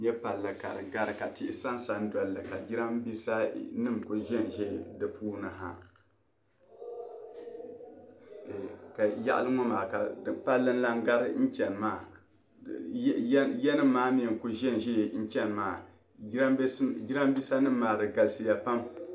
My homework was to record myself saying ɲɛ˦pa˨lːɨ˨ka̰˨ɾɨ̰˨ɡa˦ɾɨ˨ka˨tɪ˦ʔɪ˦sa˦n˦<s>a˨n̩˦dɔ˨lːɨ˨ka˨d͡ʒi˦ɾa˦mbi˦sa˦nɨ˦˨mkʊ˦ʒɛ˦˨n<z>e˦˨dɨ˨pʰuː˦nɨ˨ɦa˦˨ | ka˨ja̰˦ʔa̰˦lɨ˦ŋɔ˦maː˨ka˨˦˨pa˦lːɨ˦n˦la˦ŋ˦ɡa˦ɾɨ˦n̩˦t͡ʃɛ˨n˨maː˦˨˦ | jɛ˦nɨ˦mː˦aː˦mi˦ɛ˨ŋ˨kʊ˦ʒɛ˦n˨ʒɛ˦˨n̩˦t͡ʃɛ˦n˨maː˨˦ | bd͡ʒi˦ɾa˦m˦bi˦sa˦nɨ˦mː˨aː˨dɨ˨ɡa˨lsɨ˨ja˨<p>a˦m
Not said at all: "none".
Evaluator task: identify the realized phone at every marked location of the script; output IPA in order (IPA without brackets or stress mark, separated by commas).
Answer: s, ʒ, p